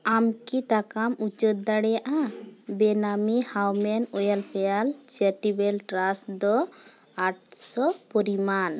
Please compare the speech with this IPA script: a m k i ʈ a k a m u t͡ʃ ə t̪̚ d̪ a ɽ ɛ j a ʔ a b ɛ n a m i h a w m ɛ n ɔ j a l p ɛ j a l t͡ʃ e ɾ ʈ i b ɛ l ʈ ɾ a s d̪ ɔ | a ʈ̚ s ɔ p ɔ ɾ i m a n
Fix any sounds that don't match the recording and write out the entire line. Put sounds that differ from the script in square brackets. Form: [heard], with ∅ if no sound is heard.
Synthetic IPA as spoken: a m k i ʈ a k a m u t͡ʃ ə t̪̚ d̪ a ɽ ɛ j a ʔ a b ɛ n a m i h a w m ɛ n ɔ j a l p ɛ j a l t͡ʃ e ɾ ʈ i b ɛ l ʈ ɾ a s d̪ ɔ | a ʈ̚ s ɔ p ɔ ɾ i m a n